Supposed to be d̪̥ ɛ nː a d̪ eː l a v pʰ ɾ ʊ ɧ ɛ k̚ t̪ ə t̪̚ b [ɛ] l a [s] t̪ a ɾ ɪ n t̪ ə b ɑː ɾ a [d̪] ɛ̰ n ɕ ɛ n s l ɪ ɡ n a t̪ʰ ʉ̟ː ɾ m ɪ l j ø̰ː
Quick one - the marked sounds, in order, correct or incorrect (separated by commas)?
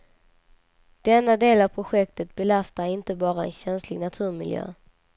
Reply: correct, correct, incorrect